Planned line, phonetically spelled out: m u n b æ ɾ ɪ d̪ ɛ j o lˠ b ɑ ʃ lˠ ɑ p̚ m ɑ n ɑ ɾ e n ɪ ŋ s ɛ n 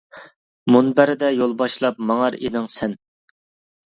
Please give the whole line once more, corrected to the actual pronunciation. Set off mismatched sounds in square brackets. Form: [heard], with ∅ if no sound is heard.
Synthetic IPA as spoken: m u n b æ ɾ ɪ d̪ ɛ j o lˠ b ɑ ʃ lˠ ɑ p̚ m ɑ [ŋ] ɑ ɾ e n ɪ ŋ s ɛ n